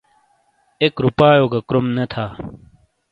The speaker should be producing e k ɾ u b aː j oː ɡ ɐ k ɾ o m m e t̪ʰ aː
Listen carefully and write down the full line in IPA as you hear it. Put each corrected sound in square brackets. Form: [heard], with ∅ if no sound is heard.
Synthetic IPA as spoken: e k ɾ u [p] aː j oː ɡ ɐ k ɾ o m [n] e t̪ʰ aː